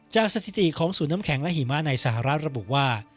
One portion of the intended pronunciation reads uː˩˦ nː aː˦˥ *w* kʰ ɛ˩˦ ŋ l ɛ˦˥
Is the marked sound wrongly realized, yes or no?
yes